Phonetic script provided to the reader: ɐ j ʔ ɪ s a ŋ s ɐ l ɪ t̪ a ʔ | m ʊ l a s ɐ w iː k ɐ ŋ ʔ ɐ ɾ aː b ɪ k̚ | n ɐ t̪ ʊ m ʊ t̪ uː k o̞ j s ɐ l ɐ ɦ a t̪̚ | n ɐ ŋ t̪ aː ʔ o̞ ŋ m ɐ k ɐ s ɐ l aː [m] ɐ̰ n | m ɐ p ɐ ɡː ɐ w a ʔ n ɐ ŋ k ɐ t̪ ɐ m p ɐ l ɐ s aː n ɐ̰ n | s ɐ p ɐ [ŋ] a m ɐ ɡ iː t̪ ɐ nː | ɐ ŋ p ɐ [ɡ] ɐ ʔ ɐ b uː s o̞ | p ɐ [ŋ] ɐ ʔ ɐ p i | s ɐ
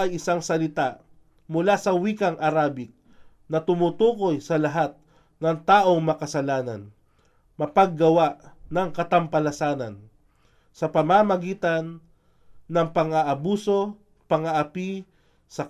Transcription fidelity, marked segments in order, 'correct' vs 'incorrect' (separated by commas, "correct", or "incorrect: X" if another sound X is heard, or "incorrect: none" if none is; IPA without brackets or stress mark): incorrect: n, incorrect: m, incorrect: ŋ, correct